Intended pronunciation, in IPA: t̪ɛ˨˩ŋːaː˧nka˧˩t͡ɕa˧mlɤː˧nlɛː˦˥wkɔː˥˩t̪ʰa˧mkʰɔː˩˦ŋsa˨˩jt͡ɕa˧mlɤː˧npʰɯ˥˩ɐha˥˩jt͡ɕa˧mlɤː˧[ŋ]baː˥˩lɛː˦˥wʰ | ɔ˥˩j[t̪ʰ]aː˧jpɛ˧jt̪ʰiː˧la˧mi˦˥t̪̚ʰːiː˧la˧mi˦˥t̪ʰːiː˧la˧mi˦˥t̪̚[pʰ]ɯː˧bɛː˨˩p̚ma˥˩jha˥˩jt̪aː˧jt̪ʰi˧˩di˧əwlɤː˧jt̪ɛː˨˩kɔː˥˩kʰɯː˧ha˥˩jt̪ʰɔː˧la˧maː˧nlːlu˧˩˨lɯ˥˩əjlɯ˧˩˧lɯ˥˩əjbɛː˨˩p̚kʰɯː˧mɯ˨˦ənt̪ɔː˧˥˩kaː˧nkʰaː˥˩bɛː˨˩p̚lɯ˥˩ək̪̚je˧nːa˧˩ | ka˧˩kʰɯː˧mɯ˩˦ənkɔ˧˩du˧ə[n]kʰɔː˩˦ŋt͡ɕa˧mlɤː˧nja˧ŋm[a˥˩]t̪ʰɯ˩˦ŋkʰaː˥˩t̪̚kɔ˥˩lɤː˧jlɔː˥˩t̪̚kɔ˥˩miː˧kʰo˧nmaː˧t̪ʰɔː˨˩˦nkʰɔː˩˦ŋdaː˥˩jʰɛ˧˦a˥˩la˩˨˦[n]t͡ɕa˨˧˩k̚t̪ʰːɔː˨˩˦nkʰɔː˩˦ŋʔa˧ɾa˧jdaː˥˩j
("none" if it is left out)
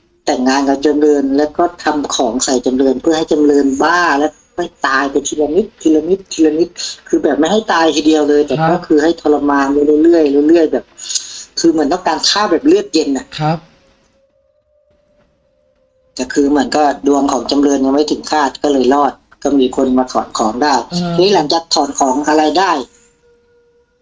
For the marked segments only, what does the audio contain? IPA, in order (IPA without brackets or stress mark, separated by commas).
n, t̪, kʰ, ŋ, a˥˩, ŋ